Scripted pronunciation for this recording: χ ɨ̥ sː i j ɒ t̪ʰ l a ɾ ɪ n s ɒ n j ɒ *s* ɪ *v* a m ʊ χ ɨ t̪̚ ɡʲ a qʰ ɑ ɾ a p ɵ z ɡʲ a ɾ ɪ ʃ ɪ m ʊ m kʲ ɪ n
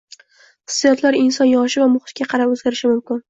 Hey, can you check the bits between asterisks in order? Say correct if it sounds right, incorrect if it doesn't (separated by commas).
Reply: incorrect, correct